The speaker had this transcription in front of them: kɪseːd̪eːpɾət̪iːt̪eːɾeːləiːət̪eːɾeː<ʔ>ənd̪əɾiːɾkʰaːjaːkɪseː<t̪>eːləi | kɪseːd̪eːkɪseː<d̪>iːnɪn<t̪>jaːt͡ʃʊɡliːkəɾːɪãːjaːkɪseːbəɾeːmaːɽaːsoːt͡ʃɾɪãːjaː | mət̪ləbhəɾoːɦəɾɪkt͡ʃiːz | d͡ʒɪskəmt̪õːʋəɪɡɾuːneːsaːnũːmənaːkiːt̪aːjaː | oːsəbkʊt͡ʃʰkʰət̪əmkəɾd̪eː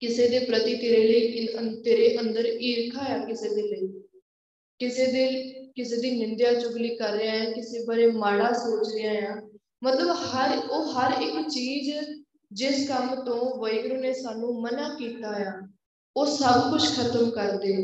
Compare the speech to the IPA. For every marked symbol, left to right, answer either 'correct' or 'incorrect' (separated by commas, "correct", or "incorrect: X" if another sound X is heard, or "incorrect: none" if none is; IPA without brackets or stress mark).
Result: correct, incorrect: d̪, correct, incorrect: d̪